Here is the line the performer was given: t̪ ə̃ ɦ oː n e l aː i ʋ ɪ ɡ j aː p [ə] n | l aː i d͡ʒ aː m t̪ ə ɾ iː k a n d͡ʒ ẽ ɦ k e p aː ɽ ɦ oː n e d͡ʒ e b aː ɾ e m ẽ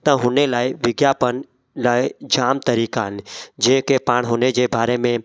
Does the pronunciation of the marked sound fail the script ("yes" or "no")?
no